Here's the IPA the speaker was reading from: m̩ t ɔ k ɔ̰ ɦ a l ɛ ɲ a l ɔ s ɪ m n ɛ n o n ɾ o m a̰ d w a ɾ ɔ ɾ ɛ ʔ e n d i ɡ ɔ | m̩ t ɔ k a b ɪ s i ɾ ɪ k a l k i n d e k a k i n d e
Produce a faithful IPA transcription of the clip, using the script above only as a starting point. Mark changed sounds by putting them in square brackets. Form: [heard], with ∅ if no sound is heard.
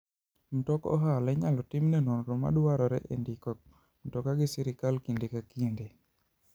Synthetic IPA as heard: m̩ t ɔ k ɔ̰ ɦ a l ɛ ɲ a l ɔ [t] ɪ m n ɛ n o n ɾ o m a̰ d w a ɾ ɔ ɾ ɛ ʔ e n d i [k] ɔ | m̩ t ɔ k a [ɡ] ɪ s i ɾ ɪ k a l k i n d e k a k i n d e

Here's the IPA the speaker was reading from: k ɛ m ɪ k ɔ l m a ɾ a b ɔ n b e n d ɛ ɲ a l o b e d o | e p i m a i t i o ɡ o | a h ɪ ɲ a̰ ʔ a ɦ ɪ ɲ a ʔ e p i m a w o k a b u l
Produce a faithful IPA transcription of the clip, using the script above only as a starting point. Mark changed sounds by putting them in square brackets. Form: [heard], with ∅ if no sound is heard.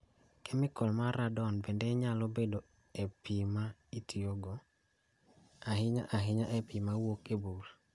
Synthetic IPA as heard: k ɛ m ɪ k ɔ l m a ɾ a [d] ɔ n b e n d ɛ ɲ a l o b e d o | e p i m a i t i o ɡ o | a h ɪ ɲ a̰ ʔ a ɦ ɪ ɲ a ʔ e p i m a w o k [e] b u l

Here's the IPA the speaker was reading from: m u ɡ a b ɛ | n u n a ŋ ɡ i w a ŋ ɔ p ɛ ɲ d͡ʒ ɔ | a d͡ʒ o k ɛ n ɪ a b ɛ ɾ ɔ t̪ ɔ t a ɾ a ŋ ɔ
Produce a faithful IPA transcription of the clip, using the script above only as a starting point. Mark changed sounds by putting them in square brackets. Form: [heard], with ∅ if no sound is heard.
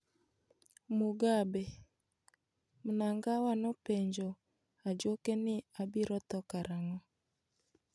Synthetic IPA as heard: m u ɡ a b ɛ | [m] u n a ŋ ɡ [a] w a [n] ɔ p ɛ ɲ d͡ʒ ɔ | a d͡ʒ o k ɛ n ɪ a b [i] ɾ ɔ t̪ ɔ [k] a ɾ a ŋ ɔ

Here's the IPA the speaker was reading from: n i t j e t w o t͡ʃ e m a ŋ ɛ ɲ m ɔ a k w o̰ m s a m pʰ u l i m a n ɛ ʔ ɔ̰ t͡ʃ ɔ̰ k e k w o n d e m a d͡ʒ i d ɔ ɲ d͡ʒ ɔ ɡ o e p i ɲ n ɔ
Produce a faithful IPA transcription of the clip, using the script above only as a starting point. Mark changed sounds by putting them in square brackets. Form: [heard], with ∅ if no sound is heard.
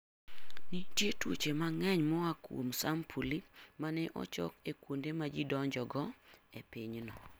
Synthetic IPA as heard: n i t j e t w o t͡ʃ e m a ŋ ɛ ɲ m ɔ a k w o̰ m s a m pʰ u l i m a n ɛ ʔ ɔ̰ t͡ʃ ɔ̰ k e k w o n d e m a d͡ʒ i d ɔ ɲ d͡ʒ ɔ ɡ [ɔ] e p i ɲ n ɔ

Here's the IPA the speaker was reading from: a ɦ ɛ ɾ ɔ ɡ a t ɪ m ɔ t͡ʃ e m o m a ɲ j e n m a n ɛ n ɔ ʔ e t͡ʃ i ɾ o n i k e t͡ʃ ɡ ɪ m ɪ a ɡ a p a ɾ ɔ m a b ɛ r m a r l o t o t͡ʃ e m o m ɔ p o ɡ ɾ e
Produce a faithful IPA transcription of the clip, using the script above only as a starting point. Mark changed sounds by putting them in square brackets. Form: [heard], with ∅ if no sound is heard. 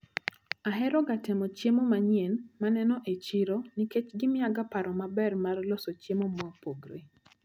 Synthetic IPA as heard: a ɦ ɛ ɾ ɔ ɡ a t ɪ m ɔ t͡ʃ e m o m a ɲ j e n m a n ɛ n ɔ ʔ e t͡ʃ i ɾ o n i k e t͡ʃ ɡ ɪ m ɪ a ɡ a p a ɾ ɔ m a b ɛ r m a r l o [s] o t͡ʃ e m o m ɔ p o ɡ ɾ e

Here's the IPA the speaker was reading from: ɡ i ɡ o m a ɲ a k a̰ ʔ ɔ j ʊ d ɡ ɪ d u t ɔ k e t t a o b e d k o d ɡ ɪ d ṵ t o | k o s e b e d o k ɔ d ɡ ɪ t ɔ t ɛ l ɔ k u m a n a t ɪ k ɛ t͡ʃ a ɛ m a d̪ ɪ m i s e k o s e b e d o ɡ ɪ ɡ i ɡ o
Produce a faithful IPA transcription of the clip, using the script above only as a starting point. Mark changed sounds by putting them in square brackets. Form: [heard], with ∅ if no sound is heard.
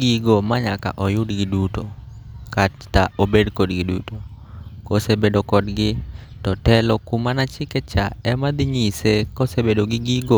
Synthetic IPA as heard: ɡ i ɡ o m a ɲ a k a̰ ʔ ɔ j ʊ d ɡ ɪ d u t [o] k [a] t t a o b e d k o d ɡ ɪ d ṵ t o | k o s e b e d o k ɔ d ɡ ɪ t ɔ t ɛ l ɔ k u m a n a [t͡ʃ] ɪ k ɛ t͡ʃ a ɛ m a d̪ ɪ [ɲ] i s e k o s e b e d o ɡ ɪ ɡ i ɡ o

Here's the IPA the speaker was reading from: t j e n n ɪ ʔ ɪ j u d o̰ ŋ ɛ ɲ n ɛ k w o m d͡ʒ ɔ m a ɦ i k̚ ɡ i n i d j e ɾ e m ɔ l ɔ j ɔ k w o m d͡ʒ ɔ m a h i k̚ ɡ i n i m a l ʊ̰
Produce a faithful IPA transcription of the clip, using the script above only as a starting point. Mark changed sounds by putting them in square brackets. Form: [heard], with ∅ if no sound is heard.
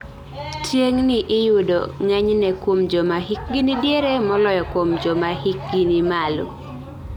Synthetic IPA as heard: t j e [ŋ] n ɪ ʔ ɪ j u d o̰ ŋ ɛ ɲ n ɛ k w o m d͡ʒ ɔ m a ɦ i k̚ ɡ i n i d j e ɾ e m ɔ l ɔ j ɔ k w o m d͡ʒ ɔ m a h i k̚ ɡ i n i m a l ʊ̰

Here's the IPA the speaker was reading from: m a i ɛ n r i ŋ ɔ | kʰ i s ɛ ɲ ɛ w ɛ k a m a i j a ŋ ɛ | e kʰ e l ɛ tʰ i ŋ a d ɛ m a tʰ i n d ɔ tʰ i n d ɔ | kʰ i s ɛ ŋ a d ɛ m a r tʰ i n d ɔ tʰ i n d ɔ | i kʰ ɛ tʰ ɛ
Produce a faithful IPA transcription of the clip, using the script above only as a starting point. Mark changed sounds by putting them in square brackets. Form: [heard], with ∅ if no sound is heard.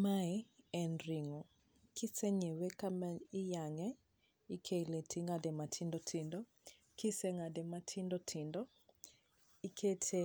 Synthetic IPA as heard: m a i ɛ n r i ŋ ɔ | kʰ i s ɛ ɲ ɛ w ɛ k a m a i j a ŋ ɛ | [i] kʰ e l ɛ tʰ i ŋ a d ɛ m a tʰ i n d ɔ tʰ i n d ɔ | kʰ i s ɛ ŋ a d ɛ m a [∅] tʰ i n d ɔ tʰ i n d ɔ | i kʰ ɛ tʰ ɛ

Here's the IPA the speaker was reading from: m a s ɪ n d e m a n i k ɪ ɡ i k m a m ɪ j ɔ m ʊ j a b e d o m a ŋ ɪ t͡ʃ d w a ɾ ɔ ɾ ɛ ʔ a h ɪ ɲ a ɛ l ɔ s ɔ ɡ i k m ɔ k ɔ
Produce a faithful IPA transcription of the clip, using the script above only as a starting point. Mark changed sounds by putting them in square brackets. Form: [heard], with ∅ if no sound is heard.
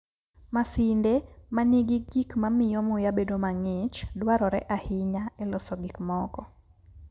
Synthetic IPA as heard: m a s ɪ n d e m a n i [ɡ] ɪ ɡ i k m a m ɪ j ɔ m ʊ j a b e d o m a ŋ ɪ t͡ʃ d w a ɾ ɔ ɾ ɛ ʔ a h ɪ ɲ a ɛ l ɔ s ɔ ɡ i k m ɔ k ɔ

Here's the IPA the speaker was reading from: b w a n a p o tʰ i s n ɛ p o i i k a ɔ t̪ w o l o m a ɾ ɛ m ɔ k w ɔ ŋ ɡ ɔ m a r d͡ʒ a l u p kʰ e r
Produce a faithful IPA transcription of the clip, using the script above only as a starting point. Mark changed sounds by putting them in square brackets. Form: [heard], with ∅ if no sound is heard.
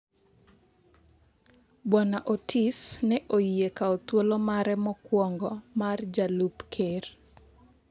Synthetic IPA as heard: b w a n a [ʔ] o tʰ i s n ɛ [ʔ] o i [e] k a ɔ t̪ w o l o m a ɾ ɛ m ɔ k w ɔ ŋ ɡ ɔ m a r d͡ʒ a l u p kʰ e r

